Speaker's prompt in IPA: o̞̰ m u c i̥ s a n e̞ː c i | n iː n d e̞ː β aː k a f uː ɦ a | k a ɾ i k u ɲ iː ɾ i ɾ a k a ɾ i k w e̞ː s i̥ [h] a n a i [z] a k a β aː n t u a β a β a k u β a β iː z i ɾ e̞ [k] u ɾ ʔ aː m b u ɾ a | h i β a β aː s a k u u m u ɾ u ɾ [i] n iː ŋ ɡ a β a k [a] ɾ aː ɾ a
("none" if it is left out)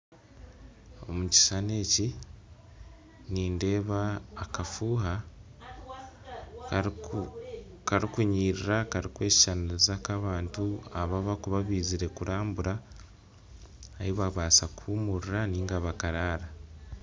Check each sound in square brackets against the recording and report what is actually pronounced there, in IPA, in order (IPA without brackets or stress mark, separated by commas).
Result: ʃ, z, k, a, a